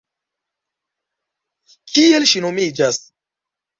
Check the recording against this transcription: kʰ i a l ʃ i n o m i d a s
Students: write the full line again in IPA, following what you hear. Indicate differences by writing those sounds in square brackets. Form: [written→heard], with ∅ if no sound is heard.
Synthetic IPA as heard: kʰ i [a→e] l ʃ i n o m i [d→d͡ʒ] a s